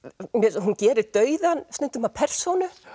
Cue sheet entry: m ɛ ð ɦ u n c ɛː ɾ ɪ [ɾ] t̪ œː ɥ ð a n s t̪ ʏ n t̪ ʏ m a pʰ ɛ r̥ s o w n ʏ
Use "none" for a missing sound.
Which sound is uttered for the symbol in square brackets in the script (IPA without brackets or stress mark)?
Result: ɾ